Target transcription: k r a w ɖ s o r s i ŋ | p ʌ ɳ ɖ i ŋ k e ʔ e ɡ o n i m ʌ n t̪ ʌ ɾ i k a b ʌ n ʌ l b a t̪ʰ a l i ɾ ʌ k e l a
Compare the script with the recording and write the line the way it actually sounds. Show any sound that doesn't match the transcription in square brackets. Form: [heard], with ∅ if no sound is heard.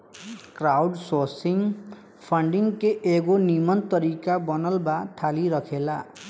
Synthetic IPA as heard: k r a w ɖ s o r s i ŋ | [pʰ] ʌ ɳ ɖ i ŋ k e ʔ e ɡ o n i m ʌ n t̪ ʌ ɾ i k a b ʌ n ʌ l b a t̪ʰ a l i ɾ ʌ [kʰ] e l a